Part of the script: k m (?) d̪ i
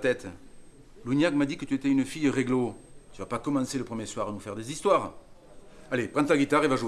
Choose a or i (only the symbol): a